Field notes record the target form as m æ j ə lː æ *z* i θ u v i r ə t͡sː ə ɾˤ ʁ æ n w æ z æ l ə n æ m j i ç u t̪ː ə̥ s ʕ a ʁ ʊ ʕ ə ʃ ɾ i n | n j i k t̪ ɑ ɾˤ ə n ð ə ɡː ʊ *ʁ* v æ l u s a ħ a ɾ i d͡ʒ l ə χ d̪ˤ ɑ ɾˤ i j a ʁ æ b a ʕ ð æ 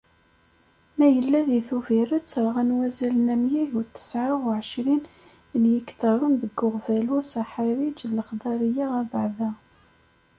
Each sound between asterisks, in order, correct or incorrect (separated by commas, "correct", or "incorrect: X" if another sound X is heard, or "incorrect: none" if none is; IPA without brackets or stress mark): incorrect: ð, correct